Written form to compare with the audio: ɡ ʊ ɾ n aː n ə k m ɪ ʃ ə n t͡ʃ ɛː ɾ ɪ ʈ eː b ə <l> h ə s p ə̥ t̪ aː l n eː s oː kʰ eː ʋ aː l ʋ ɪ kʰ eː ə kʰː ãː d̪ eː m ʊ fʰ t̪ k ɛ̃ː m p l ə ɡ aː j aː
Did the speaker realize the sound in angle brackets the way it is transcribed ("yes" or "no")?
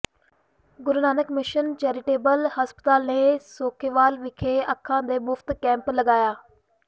yes